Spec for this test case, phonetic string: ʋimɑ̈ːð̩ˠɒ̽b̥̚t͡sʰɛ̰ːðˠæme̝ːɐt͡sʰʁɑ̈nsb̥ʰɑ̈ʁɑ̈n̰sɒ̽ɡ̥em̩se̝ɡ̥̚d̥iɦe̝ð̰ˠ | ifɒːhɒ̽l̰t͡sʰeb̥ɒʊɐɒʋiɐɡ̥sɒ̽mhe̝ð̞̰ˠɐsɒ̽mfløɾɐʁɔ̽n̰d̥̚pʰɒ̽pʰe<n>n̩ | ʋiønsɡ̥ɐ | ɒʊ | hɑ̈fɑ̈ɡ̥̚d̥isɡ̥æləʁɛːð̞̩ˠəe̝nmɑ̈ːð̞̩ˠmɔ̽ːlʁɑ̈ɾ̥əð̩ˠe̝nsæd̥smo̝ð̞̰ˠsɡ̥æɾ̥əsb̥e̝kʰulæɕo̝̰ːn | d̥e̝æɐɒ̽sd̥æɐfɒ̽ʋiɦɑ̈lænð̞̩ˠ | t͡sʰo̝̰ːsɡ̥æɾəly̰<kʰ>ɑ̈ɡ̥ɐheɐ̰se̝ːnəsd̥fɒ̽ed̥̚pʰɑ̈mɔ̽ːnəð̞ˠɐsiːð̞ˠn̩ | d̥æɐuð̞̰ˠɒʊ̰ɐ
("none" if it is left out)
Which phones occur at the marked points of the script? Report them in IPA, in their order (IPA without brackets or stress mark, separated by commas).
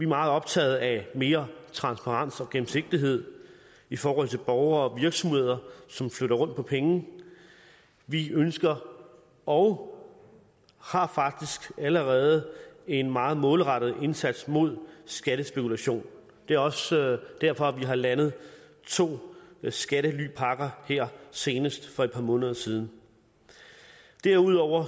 ŋ, pʰ